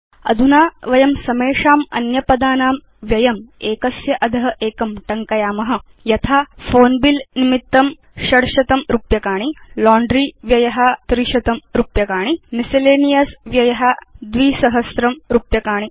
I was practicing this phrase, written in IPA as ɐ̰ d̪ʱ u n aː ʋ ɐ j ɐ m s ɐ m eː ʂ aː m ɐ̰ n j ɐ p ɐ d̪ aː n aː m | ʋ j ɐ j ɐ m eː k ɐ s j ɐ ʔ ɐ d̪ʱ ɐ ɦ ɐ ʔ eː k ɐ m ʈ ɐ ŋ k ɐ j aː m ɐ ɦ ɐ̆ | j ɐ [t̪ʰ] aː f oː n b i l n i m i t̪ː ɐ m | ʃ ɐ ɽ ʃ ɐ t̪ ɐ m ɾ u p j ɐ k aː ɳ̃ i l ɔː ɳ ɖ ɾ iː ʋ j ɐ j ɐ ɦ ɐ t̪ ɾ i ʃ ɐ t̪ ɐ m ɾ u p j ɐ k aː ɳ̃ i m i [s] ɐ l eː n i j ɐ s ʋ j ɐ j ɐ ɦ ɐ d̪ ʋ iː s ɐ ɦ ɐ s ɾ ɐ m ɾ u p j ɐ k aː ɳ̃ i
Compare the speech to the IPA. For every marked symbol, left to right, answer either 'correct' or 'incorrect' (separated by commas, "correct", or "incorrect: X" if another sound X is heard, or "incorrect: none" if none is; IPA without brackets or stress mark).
correct, correct